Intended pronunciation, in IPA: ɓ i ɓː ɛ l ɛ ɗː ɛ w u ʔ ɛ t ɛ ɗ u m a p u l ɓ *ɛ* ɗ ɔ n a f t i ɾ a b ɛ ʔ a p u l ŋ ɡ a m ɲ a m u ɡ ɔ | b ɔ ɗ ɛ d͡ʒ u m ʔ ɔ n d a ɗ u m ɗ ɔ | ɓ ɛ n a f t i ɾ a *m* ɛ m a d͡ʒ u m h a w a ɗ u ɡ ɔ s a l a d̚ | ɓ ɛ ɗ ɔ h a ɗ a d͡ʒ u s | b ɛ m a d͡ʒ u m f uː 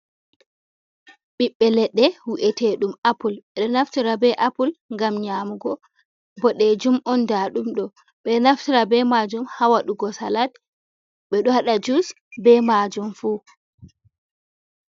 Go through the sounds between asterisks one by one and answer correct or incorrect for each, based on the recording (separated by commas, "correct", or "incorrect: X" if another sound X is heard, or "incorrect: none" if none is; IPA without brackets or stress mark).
correct, incorrect: b